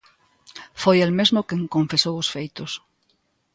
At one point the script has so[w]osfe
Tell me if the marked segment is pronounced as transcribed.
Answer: yes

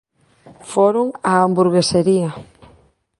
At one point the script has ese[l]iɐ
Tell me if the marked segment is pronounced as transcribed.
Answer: no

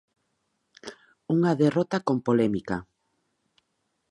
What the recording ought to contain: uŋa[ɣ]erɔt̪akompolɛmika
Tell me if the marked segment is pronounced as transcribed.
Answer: no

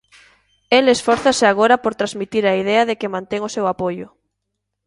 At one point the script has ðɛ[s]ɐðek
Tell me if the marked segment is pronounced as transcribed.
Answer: no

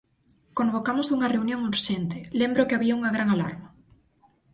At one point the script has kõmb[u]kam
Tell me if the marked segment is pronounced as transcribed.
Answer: no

